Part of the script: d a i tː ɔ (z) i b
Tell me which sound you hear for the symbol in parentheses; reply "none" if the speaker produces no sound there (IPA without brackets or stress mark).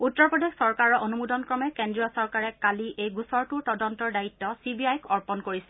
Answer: s